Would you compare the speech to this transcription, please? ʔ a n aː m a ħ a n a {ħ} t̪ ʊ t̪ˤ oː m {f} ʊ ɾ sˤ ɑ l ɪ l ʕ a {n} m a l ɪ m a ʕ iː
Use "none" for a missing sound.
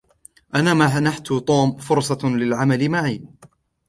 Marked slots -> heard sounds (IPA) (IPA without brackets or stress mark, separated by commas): ħ, f, none